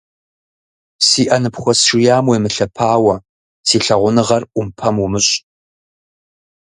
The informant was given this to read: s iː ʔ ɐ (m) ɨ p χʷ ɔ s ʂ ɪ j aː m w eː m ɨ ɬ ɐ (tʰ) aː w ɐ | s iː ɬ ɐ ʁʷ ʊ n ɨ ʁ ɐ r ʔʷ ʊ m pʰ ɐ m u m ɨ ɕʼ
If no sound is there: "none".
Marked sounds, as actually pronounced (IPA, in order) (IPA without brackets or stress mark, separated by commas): n, pʰ